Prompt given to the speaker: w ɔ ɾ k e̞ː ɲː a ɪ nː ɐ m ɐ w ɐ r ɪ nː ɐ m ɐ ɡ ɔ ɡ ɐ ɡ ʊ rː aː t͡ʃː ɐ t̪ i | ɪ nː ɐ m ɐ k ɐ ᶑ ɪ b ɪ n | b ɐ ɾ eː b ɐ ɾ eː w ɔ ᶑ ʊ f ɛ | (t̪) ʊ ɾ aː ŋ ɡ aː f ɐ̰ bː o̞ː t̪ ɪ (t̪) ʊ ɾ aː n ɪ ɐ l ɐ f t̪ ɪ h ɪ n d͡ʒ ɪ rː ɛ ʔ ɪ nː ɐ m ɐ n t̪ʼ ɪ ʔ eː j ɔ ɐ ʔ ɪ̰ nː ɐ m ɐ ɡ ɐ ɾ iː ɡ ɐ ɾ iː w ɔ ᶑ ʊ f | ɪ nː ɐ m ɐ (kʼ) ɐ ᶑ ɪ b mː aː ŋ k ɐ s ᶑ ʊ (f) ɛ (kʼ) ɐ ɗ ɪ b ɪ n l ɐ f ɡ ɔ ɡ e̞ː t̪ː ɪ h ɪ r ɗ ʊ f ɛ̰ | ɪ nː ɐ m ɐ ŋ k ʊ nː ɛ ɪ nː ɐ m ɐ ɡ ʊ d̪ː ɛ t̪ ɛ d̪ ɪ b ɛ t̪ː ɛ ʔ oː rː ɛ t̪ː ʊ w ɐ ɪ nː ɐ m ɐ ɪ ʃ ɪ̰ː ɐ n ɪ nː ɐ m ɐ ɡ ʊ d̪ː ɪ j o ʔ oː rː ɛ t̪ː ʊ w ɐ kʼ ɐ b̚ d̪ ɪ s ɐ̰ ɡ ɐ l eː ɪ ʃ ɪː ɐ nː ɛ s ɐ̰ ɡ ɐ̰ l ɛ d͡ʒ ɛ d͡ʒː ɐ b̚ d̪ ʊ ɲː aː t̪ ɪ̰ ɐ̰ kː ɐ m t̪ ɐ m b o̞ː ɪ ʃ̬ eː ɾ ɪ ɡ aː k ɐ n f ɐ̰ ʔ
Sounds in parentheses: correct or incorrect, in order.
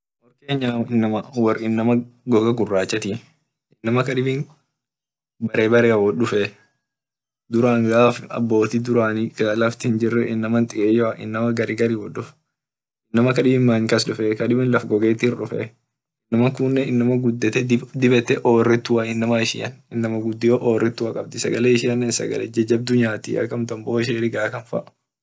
incorrect, incorrect, incorrect, correct, incorrect

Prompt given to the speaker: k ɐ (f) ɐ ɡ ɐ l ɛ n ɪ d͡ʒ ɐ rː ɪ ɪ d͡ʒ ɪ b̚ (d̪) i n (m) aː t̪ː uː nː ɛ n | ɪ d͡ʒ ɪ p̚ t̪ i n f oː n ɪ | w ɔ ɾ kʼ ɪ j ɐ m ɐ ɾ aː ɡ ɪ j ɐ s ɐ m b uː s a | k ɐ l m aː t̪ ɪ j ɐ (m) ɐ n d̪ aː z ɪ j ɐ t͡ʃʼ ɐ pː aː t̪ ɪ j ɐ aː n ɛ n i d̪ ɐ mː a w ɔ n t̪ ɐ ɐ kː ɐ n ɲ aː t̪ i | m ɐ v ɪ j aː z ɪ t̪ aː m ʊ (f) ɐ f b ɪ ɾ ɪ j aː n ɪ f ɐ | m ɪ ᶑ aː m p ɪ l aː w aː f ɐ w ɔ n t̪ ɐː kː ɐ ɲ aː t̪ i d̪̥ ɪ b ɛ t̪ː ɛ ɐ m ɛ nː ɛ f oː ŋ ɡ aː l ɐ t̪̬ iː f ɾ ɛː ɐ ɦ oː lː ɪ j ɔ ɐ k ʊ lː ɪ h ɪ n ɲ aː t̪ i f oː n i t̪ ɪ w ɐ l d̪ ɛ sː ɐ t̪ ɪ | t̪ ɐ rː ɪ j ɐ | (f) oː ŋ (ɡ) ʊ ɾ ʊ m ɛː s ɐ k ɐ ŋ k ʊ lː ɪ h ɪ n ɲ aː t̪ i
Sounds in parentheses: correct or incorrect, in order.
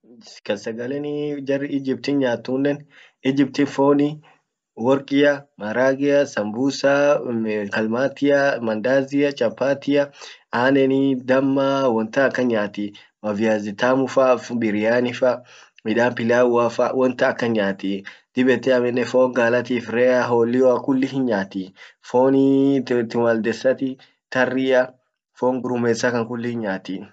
incorrect, incorrect, incorrect, correct, correct, correct, correct

